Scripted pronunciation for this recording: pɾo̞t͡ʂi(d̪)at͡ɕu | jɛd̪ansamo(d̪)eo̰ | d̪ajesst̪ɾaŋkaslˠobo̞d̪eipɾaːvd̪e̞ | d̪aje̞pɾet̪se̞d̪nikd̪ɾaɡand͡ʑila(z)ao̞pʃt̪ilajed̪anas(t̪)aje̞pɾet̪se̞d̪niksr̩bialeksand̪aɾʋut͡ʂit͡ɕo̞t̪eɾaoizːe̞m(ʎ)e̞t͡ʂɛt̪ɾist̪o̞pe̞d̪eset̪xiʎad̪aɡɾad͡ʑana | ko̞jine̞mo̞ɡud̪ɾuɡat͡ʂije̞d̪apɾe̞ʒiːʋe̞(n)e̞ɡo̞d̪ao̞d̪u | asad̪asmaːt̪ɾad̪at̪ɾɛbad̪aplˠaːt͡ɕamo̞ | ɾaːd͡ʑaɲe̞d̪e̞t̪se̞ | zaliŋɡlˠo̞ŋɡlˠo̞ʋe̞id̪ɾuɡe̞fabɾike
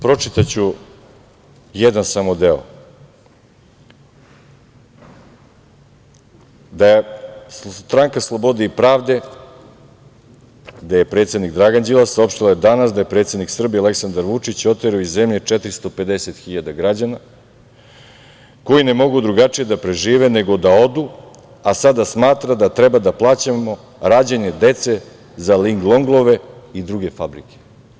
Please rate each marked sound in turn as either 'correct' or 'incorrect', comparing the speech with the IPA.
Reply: incorrect: t̪, correct, incorrect: s, incorrect: d̪, correct, correct

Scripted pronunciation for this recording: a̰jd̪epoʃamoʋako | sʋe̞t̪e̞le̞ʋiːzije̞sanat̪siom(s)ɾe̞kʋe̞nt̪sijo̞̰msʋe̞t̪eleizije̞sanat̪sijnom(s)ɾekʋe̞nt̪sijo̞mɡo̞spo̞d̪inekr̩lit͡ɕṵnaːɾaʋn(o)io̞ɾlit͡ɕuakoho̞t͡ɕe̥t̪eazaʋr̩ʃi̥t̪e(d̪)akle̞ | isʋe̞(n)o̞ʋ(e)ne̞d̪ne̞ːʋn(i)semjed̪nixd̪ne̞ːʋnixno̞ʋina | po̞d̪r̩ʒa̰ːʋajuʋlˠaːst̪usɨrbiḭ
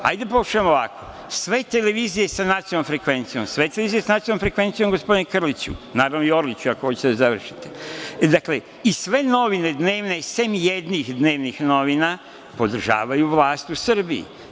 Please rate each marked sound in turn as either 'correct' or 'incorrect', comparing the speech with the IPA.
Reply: incorrect: f, incorrect: f, correct, correct, correct, incorrect: i, incorrect: e

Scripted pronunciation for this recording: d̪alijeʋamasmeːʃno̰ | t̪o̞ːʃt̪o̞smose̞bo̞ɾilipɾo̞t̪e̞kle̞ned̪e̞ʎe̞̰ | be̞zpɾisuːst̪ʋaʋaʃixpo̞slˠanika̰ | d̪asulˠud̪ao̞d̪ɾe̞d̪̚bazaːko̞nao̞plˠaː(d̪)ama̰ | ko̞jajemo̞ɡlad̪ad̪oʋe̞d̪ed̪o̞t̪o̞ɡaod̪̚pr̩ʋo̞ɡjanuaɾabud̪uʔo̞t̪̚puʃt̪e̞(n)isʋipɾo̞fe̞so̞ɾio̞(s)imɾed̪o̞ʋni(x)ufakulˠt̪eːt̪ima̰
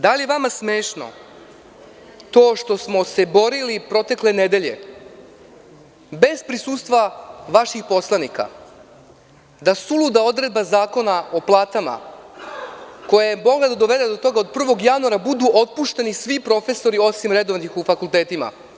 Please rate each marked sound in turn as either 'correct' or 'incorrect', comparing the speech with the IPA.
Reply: incorrect: t̪, correct, correct, correct

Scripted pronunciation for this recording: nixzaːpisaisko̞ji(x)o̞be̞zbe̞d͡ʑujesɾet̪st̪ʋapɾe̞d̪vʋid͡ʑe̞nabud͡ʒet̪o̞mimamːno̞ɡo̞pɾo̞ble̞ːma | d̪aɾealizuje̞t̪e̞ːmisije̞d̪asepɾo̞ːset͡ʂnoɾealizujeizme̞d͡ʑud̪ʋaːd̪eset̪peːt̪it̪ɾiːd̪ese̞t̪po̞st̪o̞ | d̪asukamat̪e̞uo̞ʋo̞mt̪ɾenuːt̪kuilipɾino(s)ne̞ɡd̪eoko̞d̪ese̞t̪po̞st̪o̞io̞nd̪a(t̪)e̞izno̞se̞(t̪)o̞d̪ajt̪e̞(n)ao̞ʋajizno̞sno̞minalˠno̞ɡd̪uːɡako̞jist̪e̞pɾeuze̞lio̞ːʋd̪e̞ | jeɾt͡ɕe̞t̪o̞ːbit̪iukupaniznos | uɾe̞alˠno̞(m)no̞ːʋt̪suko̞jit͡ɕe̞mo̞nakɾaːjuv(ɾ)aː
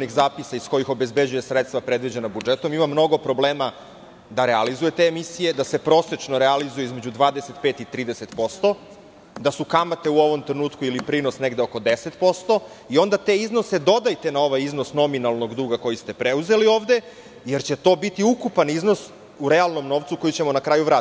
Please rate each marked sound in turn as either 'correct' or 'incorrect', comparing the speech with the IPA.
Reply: correct, correct, correct, incorrect: d̪, correct, correct, correct

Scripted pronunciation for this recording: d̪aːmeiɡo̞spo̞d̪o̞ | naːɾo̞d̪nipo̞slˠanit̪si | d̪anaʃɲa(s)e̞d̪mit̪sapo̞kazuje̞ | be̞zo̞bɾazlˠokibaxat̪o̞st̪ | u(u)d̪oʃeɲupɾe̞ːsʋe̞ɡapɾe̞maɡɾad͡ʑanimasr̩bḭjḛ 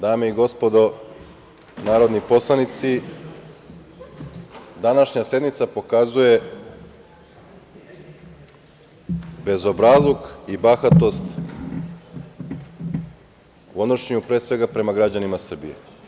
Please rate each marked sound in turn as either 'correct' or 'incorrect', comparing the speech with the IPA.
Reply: correct, incorrect: o

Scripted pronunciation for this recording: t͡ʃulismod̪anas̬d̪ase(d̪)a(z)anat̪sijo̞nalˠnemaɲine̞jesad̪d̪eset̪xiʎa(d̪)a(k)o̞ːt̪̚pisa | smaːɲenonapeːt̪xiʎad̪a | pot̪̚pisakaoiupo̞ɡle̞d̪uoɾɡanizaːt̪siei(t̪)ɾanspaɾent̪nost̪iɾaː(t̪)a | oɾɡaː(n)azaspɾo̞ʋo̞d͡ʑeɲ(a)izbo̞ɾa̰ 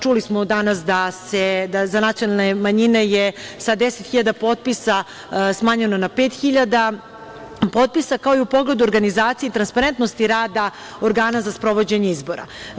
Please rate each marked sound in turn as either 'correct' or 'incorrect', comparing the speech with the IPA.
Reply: correct, correct, correct, incorrect: p, correct, incorrect: d̪, correct, incorrect: e

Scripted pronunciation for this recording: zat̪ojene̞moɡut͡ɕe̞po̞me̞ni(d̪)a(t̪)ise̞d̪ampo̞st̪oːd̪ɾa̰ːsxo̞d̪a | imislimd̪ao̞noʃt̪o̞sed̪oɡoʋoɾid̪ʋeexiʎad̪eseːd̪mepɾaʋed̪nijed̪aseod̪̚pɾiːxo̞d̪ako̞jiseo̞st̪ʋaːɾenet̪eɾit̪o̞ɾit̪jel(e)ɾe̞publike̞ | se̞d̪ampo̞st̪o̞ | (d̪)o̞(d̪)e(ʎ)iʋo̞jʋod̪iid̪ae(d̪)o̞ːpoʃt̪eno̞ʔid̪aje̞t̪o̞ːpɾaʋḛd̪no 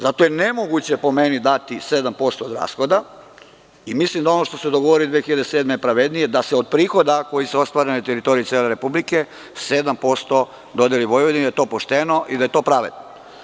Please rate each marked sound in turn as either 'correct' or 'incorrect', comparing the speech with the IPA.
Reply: correct, correct, correct, correct, correct, incorrect: l, incorrect: t̪

